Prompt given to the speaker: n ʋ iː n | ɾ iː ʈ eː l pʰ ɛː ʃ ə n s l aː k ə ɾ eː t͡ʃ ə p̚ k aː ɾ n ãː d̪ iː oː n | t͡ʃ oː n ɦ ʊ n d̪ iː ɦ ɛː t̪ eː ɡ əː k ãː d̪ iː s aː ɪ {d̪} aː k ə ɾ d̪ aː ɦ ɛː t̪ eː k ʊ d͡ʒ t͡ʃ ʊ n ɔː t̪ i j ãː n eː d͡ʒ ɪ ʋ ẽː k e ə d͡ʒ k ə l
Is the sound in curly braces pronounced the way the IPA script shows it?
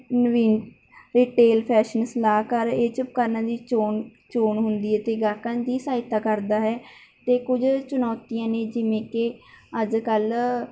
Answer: no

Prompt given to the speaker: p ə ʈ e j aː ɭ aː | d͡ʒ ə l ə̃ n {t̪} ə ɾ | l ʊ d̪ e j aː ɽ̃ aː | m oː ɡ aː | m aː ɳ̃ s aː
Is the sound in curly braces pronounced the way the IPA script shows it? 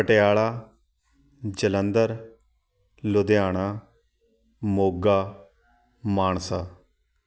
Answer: no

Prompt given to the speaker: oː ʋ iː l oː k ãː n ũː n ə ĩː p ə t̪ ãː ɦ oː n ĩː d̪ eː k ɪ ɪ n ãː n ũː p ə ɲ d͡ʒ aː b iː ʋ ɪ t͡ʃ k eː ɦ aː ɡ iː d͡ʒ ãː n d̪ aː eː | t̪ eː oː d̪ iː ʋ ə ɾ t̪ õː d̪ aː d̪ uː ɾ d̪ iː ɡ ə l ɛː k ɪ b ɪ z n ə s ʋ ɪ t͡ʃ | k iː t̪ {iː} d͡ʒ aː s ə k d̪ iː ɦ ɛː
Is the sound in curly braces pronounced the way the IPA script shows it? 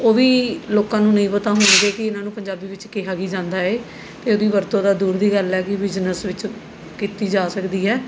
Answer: yes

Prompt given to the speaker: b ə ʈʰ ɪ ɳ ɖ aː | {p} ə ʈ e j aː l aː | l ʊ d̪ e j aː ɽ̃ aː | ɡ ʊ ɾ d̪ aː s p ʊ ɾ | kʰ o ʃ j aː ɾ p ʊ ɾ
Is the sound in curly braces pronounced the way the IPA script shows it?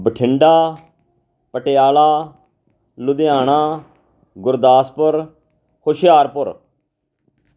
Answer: yes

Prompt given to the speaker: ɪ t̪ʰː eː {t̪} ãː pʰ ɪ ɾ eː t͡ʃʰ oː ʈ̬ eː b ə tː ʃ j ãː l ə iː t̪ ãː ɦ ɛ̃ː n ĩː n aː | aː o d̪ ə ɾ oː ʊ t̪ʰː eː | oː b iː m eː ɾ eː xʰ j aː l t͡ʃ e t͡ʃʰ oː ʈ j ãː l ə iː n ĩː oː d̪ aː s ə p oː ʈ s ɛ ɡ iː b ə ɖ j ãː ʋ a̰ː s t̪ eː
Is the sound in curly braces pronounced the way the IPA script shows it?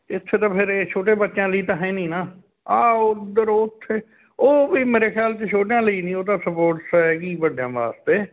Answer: yes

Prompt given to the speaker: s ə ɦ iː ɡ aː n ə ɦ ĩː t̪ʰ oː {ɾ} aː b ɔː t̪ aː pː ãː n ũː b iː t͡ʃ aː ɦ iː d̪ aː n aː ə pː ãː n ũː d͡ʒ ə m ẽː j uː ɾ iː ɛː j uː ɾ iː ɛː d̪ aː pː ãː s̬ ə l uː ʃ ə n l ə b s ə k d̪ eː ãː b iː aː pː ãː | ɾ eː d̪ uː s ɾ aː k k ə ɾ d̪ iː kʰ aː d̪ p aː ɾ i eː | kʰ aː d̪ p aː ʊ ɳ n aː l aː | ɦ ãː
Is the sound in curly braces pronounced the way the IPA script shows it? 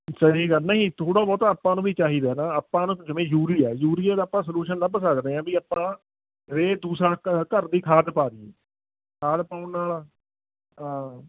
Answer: no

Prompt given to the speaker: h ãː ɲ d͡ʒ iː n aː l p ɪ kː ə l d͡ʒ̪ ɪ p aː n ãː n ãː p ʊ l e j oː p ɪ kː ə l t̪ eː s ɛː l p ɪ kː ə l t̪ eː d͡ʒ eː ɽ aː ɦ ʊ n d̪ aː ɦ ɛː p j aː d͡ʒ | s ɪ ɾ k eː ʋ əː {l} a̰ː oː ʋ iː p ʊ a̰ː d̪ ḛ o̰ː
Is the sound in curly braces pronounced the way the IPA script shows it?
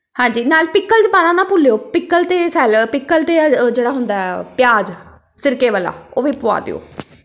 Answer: yes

